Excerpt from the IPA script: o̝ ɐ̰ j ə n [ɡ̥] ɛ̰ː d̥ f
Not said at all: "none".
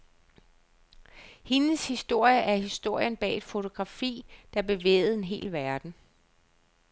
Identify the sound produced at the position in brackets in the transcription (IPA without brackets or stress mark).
b̥